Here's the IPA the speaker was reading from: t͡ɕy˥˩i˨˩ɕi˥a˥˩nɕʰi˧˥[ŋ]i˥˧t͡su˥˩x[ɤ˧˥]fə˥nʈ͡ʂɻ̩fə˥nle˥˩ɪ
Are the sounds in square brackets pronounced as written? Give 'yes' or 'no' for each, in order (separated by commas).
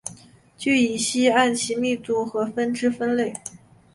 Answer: no, yes